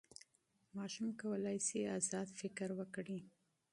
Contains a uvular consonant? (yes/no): no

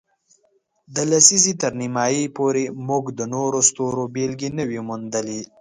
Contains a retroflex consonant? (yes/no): no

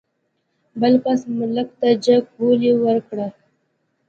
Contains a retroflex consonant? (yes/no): yes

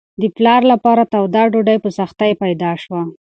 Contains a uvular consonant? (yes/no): no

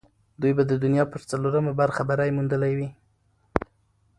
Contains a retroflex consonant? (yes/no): no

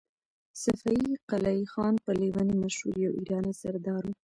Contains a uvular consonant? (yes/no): yes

